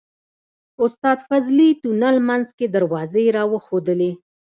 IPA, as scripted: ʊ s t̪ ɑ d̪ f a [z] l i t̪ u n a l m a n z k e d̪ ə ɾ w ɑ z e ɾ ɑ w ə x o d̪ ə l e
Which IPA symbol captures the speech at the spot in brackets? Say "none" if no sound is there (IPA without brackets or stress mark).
z